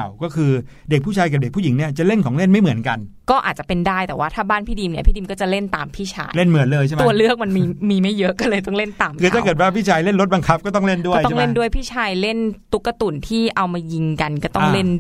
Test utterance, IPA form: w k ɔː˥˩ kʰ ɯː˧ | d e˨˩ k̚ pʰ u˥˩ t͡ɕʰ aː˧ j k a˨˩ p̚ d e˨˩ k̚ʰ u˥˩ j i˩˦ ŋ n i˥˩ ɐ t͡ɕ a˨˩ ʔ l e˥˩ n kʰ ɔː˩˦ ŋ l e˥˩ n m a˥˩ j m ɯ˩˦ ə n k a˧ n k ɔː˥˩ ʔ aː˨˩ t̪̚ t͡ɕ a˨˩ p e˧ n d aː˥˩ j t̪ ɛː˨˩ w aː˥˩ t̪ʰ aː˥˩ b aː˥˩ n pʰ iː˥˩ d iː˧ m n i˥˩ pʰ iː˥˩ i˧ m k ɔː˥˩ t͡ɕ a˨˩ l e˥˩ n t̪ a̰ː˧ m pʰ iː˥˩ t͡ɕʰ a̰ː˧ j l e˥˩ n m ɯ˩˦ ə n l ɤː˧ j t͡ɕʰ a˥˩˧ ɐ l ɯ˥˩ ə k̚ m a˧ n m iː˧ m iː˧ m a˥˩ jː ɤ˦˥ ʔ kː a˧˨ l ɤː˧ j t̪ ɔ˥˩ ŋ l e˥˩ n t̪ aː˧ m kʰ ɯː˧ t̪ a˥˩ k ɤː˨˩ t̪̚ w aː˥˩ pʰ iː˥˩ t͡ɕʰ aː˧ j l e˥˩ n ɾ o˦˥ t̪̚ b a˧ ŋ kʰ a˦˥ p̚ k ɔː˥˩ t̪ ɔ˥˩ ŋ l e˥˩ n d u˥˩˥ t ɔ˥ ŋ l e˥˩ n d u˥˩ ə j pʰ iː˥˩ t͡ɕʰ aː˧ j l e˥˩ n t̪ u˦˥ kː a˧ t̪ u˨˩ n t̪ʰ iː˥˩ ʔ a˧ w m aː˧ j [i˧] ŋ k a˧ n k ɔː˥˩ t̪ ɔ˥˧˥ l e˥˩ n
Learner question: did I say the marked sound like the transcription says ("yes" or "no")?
yes